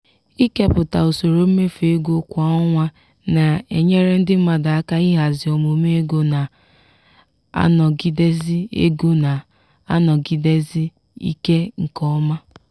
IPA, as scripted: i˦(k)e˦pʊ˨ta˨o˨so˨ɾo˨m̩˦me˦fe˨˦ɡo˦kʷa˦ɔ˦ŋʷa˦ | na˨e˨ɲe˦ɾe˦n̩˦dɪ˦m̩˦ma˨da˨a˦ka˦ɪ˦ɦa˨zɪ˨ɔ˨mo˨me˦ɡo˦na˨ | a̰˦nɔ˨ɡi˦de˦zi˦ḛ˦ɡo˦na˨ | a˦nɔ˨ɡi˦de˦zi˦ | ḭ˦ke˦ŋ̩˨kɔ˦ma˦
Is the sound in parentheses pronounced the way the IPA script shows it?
yes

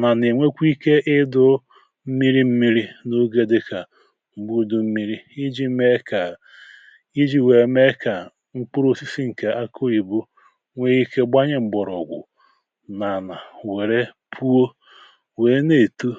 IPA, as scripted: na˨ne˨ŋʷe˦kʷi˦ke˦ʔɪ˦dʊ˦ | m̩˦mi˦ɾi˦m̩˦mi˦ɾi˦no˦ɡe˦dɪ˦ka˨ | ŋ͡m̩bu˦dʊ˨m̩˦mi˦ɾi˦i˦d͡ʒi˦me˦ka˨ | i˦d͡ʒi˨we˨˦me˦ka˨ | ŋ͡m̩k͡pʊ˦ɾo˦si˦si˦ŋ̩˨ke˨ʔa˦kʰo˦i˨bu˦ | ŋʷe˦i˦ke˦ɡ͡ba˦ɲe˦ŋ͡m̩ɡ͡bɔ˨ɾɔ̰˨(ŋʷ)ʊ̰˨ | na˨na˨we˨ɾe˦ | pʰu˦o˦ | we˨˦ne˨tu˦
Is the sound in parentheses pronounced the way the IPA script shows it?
no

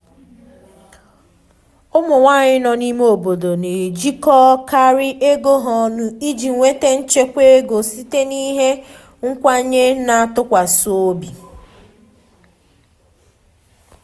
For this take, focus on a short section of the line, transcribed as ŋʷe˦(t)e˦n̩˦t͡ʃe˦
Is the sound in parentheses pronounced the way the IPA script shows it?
yes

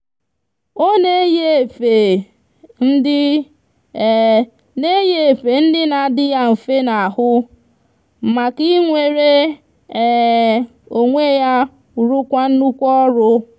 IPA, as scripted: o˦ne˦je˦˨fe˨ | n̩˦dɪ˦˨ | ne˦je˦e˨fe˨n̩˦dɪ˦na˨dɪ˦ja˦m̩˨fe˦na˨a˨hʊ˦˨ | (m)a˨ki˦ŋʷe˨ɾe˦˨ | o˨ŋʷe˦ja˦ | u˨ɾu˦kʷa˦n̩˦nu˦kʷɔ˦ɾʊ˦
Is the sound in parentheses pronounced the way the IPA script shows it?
yes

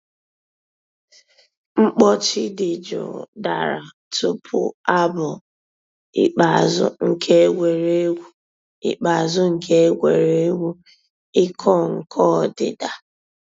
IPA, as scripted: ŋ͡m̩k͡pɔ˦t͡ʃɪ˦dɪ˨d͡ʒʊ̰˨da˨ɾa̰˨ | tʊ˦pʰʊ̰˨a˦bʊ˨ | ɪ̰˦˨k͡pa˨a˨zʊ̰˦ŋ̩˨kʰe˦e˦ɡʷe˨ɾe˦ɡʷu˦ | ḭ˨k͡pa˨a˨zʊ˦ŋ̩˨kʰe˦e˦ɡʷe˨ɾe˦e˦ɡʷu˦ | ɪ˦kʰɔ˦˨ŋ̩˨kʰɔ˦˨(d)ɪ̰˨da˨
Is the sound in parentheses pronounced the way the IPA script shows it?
yes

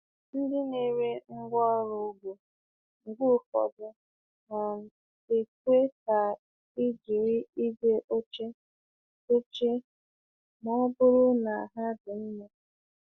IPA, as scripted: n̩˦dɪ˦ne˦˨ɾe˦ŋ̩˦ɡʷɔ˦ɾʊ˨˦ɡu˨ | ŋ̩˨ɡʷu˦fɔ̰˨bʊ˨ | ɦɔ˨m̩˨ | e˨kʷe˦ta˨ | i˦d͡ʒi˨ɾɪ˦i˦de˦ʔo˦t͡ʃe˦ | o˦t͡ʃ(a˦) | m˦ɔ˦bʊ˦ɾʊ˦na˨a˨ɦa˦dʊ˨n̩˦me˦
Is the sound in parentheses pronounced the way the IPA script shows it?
no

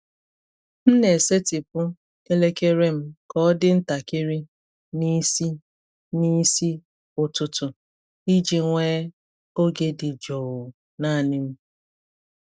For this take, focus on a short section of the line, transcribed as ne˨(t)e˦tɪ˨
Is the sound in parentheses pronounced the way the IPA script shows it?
no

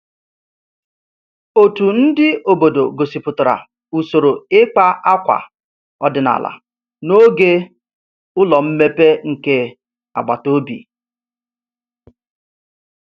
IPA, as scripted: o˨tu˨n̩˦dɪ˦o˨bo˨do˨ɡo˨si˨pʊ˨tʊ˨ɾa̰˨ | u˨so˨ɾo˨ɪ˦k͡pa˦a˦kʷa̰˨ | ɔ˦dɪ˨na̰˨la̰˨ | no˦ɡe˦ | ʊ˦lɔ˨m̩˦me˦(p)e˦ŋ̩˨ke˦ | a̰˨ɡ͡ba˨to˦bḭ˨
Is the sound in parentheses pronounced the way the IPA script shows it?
yes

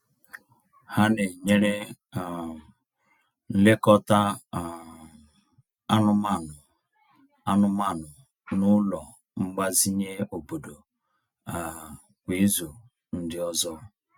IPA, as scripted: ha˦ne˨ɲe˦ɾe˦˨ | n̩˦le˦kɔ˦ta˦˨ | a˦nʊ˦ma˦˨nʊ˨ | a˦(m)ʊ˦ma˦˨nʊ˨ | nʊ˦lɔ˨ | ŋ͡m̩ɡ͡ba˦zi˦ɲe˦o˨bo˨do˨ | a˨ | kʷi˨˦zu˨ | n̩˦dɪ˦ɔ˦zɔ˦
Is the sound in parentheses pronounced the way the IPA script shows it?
no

